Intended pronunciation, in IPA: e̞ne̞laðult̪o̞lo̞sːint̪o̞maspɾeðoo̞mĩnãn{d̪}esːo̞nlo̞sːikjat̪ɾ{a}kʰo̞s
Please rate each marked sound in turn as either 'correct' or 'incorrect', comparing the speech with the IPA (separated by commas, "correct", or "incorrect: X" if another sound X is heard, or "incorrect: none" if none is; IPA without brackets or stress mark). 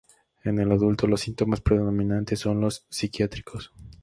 incorrect: t̪, incorrect: i